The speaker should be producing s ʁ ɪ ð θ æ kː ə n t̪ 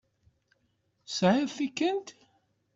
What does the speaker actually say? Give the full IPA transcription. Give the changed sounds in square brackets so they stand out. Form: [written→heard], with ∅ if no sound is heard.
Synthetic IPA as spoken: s [ʁ→ʕ] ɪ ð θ [æ→i] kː ə n t̪